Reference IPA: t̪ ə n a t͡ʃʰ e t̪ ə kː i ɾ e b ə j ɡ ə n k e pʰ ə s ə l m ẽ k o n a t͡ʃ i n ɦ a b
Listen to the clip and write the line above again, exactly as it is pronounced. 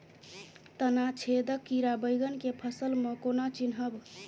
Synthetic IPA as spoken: t̪ ə n a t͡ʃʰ e d̪ ə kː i ɾ a b ə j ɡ ə n k e pʰ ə s ə l m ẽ k o n a t͡ʃ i n ɦ ə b